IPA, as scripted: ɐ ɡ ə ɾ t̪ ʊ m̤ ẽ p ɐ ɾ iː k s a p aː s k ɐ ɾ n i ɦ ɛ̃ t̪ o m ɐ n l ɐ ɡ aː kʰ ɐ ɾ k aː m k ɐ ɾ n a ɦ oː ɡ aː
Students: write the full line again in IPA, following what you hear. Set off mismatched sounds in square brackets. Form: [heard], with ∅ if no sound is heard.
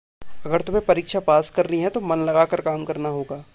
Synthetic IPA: ɐ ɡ ə ɾ t̪ ʊ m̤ ẽ p ɐ ɾ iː k [ʃ] a p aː s k ɐ ɾ n i ɦ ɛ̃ t̪ o m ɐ n l ɐ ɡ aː [k] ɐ ɾ k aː m k ɐ ɾ n a ɦ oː ɡ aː

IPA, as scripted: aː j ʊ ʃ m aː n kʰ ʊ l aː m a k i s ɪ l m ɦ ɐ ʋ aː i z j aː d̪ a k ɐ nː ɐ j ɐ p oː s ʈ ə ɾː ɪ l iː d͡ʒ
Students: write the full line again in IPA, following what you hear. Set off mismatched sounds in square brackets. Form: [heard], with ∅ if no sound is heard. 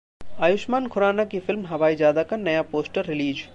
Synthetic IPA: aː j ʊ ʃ m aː n kʰ ʊ [ɾ] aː [n] a k i [f] ɪ l m ɦ ɐ ʋ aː i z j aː d̪ a k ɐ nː ɐ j [a] p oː s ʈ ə ɾː ɪ l iː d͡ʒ

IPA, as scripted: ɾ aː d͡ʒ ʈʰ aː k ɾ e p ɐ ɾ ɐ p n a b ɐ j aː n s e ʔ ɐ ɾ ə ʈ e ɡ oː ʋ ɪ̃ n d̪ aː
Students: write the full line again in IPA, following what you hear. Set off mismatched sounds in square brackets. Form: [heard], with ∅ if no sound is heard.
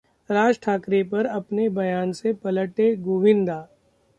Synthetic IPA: ɾ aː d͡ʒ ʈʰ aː k ɾ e p ɐ ɾ ɐ p n [e] b ɐ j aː n s e [p] ɐ [l] ə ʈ e ɡ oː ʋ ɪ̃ n d̪ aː

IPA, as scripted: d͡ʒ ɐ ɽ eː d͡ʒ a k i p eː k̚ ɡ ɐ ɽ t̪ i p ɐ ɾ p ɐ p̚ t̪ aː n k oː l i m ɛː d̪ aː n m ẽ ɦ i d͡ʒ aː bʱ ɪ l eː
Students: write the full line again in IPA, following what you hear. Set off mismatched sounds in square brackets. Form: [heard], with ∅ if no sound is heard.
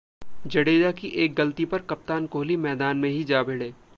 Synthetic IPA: d͡ʒ ɐ ɽ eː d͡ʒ a k i [ʔ] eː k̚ ɡ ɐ [l] t̪ i p ɐ ɾ [k] ɐ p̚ t̪ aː n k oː l i m ɛː d̪ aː n m ẽ ɦ i d͡ʒ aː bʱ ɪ [ɽ] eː

